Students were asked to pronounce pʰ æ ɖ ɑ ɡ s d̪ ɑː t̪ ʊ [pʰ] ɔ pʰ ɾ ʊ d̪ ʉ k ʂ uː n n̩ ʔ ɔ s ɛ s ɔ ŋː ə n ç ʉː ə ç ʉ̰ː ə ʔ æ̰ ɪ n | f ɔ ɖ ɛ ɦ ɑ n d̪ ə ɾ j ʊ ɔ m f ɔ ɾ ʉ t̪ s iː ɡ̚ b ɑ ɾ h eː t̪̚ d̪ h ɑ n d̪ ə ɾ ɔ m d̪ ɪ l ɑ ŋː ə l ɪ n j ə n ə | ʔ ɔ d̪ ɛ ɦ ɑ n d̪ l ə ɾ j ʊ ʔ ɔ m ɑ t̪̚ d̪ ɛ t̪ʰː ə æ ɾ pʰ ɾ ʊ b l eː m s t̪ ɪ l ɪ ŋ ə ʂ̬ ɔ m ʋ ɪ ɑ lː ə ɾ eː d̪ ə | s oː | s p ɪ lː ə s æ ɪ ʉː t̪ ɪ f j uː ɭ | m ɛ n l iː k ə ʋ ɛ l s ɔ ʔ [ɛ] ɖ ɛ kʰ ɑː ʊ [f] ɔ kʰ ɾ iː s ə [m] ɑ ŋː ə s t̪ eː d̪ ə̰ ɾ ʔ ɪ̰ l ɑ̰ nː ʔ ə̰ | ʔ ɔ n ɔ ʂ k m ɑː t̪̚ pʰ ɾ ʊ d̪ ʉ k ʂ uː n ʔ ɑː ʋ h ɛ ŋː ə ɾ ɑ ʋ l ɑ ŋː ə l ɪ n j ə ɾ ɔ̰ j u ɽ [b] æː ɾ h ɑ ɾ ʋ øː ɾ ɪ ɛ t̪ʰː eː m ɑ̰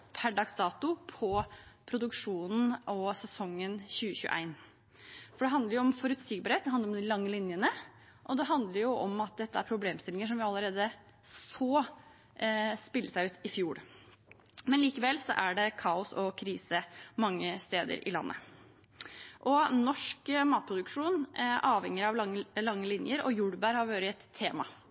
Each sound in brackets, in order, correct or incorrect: correct, incorrect: æ, incorrect: s, correct, correct

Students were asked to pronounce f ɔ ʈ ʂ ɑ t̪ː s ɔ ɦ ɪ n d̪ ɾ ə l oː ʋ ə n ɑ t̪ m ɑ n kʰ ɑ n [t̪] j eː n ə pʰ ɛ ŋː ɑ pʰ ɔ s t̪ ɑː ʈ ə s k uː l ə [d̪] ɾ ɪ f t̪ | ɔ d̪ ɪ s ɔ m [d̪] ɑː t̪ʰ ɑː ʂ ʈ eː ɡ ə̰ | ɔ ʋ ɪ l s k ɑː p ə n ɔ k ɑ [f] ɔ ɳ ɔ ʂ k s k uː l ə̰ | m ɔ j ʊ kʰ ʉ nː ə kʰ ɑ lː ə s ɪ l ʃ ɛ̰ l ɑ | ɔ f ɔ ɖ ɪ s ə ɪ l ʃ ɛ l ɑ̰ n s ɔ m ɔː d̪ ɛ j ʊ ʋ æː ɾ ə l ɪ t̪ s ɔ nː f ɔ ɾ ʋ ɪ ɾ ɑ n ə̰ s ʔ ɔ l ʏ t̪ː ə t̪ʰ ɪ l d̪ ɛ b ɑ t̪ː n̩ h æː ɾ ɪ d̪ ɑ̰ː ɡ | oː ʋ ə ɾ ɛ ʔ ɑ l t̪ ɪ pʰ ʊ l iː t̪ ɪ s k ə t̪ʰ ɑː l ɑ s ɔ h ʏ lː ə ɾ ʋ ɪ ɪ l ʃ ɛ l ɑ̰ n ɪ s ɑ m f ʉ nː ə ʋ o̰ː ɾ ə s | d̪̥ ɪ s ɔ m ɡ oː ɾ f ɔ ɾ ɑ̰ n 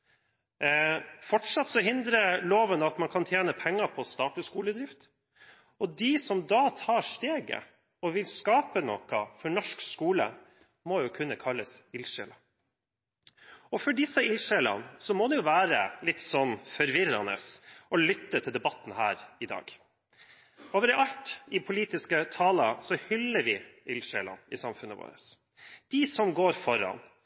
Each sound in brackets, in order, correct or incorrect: incorrect: t̪ʰ, correct, correct, correct

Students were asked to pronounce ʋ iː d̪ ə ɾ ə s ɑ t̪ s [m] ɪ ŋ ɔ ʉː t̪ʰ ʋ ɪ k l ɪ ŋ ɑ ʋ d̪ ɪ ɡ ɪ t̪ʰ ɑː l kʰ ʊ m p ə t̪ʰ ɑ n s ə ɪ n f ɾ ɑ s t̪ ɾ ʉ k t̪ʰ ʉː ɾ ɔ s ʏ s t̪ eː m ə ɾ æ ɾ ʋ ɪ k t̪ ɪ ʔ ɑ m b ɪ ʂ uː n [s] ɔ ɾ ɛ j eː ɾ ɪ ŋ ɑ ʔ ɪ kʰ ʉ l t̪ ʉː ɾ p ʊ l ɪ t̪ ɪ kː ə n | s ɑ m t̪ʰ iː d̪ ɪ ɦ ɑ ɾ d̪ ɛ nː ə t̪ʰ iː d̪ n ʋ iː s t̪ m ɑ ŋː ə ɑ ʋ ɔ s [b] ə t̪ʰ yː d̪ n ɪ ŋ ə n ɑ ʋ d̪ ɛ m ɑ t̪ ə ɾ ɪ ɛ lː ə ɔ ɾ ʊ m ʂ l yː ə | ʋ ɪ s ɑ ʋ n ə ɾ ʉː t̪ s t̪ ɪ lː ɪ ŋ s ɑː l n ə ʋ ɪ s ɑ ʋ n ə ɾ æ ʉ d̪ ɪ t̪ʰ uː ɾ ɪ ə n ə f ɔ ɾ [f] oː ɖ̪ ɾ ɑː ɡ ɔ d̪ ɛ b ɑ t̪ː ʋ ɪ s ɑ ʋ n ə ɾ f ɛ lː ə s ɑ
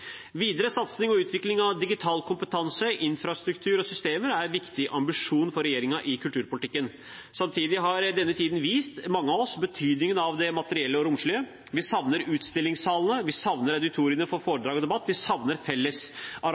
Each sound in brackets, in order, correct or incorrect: incorrect: n, incorrect: f, correct, correct

